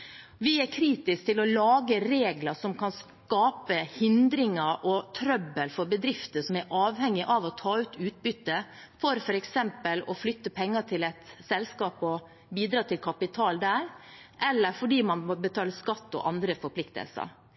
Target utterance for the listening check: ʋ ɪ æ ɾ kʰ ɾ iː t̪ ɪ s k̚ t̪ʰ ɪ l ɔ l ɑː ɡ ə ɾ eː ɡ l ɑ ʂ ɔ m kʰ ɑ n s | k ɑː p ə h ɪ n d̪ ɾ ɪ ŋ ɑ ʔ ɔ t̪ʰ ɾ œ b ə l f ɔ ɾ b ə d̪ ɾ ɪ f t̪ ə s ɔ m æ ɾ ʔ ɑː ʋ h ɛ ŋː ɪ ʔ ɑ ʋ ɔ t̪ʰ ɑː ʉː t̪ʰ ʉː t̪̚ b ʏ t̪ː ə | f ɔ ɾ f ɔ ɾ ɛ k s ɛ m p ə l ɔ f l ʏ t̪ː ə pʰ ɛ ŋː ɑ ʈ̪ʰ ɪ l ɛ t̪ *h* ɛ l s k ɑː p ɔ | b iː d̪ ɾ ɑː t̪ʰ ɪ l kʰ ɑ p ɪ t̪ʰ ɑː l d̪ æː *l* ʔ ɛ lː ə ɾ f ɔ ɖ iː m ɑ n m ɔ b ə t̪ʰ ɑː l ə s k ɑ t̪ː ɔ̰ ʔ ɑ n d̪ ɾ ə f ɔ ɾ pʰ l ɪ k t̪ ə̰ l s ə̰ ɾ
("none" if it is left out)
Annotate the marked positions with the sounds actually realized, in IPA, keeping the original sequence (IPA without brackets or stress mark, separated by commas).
s, ɾ